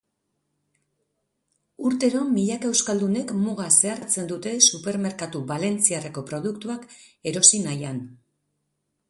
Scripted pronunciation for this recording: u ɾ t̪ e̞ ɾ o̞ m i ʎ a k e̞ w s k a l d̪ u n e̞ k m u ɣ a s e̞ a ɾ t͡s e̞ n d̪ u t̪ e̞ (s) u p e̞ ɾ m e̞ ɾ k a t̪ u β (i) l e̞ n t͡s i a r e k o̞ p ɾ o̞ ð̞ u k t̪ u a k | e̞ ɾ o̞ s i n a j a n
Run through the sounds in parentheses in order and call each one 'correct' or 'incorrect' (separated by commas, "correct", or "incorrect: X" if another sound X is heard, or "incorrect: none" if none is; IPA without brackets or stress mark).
correct, incorrect: a